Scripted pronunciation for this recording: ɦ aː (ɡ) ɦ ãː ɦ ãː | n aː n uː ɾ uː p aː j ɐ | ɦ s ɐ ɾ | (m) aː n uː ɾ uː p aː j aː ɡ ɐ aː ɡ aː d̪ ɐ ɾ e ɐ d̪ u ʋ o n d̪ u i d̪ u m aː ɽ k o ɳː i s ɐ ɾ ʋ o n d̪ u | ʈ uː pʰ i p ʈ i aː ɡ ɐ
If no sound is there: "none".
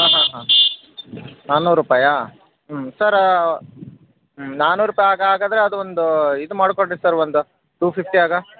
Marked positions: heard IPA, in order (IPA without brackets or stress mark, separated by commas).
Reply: none, n